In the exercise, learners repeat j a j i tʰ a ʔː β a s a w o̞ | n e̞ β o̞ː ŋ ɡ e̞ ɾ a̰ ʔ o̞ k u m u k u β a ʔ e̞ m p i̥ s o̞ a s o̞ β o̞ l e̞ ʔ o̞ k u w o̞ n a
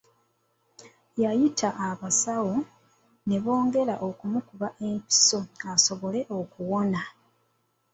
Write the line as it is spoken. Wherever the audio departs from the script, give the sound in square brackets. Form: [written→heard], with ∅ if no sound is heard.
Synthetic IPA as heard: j a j i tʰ a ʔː β a s a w o̞ | n e̞ β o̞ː ŋ ɡ e̞ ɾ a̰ ʔ o̞ k u m u k u β a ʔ e̞ m p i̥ s o̞ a s o̞ β o̞ l e̞ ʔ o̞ k u w o̞ n a